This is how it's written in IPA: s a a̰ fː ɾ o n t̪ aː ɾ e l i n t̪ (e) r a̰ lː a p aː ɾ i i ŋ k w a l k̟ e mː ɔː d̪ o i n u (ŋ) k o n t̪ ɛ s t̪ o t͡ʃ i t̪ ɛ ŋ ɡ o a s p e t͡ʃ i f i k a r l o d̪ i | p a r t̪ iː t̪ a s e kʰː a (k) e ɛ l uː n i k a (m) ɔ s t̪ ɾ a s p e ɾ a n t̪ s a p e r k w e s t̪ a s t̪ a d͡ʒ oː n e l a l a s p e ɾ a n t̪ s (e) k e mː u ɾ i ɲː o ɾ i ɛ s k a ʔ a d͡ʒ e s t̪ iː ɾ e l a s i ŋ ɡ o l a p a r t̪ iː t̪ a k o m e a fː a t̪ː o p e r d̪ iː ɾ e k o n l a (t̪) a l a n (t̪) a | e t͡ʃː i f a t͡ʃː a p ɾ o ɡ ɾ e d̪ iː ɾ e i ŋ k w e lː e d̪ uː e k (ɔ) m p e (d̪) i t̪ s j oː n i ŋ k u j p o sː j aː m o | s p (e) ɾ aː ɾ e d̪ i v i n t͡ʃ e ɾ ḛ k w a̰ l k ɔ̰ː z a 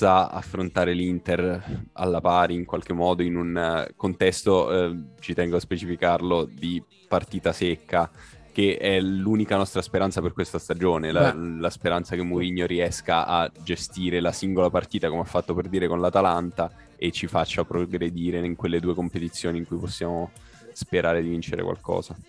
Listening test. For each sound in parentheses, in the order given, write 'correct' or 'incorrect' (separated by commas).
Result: correct, incorrect, correct, incorrect, incorrect, correct, correct, incorrect, incorrect, correct